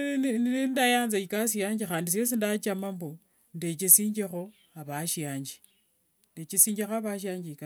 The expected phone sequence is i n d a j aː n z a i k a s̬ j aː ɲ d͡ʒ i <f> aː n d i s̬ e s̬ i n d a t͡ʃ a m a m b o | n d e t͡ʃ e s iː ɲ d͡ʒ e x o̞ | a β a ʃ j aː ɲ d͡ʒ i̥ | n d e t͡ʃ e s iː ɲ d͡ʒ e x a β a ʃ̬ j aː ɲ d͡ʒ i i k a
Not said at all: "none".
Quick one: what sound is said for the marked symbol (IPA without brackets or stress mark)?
x